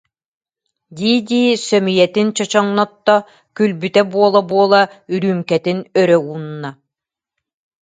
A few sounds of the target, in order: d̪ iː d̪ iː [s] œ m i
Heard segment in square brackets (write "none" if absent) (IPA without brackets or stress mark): s